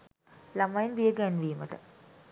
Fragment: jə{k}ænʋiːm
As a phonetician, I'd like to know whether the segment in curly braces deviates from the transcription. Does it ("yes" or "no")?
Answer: yes